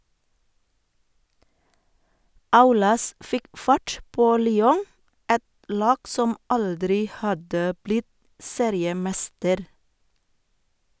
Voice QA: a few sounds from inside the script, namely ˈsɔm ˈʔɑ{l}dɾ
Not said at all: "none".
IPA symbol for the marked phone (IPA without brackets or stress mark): l